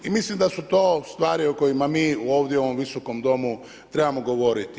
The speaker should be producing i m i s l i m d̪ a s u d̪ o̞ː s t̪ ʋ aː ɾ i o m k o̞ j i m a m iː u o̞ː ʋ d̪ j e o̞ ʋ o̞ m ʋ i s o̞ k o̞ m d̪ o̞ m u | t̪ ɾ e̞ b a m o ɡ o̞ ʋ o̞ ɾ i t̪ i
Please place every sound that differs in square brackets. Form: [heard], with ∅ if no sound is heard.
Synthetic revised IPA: i m i s l i m d̪ a s u [t̪] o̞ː s t̪ ʋ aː ɾ i o [∅] k o̞ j i m a m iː u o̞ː ʋ d̪ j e o̞ ʋ o̞ m ʋ i s o̞ k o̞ m d̪ o̞ m u | t̪ ɾ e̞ b a m o ɡ o̞ ʋ o̞ ɾ i t̪ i